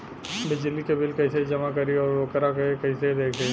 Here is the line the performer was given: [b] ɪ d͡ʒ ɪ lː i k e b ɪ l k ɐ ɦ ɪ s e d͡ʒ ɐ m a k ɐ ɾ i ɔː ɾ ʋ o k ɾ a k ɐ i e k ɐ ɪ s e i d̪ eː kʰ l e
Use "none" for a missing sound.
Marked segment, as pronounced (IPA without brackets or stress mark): b